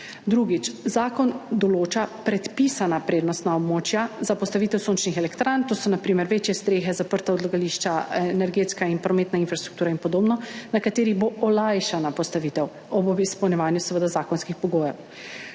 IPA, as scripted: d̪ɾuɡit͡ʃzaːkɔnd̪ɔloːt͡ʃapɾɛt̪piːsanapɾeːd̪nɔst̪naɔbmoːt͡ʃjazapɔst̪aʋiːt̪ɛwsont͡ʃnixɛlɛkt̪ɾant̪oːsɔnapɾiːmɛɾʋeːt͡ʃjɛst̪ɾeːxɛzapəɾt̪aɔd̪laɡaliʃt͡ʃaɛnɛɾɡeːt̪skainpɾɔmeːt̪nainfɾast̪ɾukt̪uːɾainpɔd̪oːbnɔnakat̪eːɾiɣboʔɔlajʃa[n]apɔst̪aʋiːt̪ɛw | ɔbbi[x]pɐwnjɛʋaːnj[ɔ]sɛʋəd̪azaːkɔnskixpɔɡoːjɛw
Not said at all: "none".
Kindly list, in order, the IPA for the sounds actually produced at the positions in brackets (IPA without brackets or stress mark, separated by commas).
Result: n, s, u